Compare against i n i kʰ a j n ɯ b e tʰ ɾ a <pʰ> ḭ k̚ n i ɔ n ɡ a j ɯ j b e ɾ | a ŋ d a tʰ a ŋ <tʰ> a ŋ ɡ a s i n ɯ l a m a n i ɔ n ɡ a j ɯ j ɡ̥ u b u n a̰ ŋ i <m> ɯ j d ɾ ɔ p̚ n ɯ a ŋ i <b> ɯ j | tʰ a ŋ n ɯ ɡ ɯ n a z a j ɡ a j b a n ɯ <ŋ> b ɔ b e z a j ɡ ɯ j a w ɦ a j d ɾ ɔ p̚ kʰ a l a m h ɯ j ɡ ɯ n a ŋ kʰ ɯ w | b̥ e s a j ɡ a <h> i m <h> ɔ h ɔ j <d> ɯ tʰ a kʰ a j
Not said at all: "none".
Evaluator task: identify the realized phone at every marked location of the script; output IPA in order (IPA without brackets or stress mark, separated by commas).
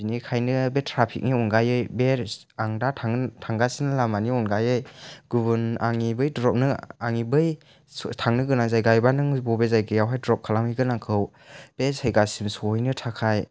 pʰ, tʰ, b, b, ŋ, s, s, n